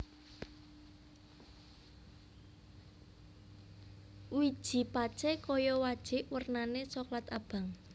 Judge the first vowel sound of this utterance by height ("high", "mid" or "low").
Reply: high